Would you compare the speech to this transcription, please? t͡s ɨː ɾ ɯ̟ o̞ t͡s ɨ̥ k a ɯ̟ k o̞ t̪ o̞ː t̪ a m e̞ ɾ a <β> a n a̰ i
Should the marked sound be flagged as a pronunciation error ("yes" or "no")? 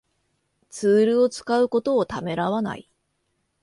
no